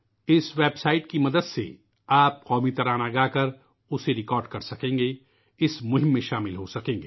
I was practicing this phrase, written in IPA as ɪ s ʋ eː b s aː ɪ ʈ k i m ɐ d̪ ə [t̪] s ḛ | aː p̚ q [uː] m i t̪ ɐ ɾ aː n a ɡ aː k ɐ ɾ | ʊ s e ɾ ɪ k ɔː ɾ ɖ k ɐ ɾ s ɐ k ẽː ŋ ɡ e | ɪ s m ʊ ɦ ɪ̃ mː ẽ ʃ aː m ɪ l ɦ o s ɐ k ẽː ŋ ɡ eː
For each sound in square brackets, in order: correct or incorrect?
incorrect, incorrect

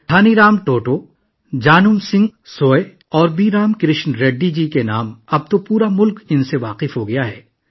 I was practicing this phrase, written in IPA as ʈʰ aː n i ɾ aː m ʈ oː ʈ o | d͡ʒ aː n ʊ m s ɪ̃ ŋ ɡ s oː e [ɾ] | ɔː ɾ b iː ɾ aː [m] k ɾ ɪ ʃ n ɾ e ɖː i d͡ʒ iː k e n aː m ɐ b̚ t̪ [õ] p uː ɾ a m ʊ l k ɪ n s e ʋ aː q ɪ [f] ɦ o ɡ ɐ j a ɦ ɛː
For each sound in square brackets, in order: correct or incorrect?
incorrect, correct, incorrect, correct

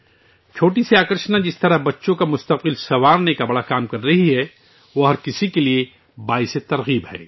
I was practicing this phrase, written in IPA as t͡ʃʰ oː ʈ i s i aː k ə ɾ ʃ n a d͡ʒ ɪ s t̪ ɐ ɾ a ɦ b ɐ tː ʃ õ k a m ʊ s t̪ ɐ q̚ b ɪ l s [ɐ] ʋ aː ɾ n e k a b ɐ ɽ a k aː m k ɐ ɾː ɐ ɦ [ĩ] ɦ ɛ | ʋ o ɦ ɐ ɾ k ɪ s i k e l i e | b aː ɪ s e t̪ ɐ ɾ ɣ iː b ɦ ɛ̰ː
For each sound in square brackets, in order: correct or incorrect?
correct, incorrect

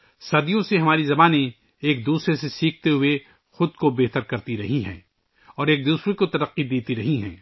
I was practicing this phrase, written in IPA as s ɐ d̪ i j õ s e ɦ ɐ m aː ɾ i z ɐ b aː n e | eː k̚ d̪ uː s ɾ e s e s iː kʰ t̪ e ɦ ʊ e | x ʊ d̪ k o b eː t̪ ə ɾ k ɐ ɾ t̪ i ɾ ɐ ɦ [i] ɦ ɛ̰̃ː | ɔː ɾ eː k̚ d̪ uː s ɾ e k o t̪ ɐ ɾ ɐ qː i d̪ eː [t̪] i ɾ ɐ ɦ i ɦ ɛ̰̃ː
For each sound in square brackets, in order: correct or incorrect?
correct, correct

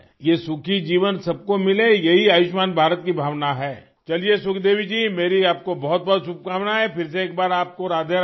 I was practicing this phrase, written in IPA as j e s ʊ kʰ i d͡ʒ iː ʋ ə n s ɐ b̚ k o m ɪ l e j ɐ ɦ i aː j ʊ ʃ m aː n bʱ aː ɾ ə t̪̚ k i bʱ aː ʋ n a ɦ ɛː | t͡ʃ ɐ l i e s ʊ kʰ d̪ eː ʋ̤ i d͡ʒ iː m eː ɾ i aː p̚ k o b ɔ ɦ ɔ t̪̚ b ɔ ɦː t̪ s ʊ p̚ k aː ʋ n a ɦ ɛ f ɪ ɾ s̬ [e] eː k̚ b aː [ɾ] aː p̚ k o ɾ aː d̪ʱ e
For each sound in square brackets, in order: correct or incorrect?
correct, correct

